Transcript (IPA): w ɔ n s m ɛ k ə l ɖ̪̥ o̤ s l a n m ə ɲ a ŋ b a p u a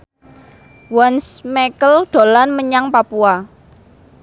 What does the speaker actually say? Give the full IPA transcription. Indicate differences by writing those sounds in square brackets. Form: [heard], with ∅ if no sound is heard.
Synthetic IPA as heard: w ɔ n s m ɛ k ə l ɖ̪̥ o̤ [∅] l a n m ə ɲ a ŋ [p] a p u a